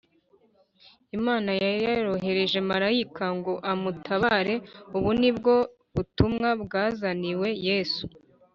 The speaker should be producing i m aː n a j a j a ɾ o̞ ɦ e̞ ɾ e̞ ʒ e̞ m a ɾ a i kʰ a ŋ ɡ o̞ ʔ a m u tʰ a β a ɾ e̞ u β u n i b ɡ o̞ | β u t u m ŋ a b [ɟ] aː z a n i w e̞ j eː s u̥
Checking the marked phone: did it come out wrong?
yes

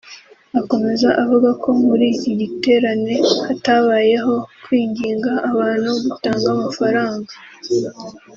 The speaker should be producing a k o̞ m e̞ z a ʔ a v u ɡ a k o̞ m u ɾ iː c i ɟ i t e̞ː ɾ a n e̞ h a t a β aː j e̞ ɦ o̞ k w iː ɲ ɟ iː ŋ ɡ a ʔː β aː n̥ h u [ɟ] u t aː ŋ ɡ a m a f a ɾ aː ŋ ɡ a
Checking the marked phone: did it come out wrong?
yes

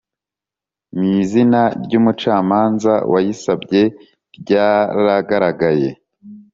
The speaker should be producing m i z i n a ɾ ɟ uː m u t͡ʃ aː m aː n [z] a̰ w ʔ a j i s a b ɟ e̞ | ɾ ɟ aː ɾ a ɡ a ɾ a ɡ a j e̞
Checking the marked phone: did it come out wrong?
no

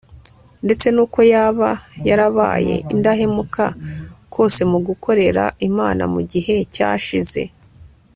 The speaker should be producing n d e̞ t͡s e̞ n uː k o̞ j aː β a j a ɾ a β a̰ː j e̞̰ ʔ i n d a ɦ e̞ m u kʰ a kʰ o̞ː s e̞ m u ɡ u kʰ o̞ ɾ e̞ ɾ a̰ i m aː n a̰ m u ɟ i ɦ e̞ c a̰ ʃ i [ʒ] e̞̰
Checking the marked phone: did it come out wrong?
yes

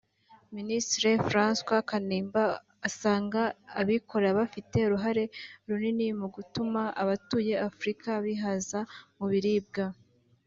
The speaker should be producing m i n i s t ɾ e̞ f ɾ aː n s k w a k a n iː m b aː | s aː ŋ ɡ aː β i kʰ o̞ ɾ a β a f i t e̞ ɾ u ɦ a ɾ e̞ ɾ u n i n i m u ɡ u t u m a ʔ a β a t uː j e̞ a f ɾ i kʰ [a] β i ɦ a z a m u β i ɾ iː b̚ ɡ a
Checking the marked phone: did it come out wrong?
no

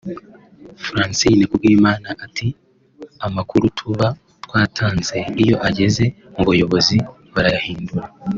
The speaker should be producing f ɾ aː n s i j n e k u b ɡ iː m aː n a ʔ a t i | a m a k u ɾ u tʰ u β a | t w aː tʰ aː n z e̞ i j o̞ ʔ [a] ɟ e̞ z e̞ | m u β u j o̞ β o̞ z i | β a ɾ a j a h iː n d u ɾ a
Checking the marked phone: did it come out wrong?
no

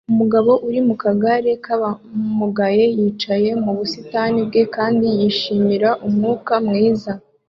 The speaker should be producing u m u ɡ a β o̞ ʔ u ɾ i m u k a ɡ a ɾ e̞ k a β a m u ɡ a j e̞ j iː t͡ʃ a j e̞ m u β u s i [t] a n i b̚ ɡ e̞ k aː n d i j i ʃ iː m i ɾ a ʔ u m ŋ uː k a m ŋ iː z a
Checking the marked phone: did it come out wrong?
no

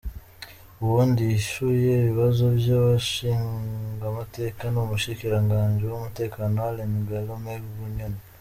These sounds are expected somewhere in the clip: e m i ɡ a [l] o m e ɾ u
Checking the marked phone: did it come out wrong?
no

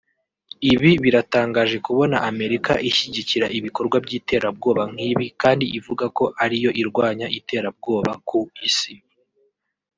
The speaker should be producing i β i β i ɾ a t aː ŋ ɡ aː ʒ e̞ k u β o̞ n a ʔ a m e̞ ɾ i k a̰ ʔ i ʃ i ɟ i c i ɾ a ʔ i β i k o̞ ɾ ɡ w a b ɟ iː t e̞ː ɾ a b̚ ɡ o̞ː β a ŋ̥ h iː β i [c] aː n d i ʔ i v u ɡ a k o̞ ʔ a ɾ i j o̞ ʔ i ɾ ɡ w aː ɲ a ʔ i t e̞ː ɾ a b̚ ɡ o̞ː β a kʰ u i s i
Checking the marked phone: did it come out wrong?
yes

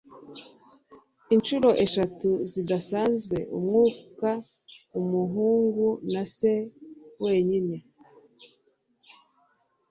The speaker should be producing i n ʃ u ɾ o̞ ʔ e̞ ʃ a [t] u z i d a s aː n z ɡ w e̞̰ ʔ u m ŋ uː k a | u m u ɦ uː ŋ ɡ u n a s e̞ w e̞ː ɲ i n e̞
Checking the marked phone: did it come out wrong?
no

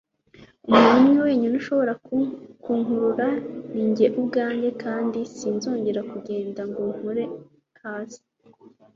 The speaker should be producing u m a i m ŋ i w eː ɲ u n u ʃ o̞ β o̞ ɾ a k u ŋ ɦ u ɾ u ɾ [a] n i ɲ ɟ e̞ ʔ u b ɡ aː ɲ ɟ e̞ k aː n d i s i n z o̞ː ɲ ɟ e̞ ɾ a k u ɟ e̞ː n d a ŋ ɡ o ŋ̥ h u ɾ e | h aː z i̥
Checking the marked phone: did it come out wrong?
no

